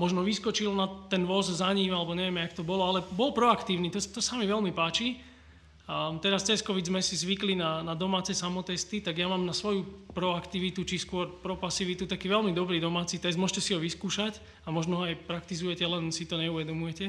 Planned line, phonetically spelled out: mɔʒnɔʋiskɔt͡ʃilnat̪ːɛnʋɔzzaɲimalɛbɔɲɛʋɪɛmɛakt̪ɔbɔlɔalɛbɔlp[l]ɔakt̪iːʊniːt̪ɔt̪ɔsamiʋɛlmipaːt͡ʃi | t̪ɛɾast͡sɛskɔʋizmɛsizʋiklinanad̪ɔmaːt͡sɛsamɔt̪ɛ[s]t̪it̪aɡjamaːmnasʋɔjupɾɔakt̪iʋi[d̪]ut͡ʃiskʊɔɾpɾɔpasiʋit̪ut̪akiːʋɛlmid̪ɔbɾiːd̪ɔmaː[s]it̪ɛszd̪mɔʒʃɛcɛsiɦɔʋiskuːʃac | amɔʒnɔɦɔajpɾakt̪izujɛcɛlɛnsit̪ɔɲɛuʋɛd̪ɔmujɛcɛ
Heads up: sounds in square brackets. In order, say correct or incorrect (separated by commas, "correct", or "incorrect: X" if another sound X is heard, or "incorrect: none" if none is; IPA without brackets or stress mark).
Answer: incorrect: ɾ, correct, incorrect: t̪, incorrect: t͡s